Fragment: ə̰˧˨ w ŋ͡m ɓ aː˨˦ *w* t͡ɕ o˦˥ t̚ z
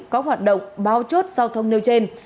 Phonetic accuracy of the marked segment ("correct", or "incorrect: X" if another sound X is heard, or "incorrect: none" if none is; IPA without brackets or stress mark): correct